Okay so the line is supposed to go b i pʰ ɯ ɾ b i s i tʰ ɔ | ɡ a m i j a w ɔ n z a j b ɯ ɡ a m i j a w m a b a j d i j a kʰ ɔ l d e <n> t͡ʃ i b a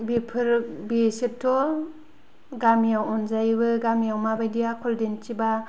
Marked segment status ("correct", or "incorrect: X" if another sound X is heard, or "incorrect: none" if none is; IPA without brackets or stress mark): correct